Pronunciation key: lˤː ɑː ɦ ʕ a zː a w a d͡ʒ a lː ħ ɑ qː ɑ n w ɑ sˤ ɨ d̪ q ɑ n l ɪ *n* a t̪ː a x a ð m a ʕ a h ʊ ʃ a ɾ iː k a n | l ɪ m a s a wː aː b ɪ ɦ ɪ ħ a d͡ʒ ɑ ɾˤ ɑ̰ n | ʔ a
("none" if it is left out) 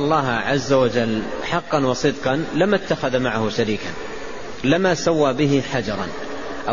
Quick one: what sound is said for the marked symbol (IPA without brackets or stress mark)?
m